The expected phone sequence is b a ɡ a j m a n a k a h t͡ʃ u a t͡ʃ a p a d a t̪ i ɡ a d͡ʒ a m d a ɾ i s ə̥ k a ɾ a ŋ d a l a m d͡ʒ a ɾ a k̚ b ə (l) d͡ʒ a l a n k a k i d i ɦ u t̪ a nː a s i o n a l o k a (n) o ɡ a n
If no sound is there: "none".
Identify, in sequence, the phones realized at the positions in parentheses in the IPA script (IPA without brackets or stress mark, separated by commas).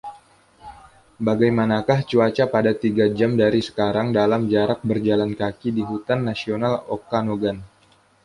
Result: r, n